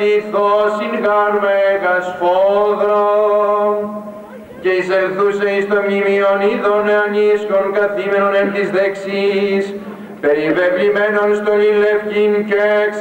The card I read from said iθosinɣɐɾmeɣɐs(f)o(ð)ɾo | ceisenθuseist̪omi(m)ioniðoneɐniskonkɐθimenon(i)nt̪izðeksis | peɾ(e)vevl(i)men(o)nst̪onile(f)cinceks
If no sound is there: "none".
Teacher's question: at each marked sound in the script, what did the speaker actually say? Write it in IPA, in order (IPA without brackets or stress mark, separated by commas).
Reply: f, ð, m, e, i, i, o, f